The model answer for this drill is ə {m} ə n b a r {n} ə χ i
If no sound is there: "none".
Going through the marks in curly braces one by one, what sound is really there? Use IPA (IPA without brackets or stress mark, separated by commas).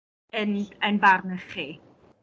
n, n